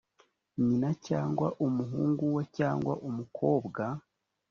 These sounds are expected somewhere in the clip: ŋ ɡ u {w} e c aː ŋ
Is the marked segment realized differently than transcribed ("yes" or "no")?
no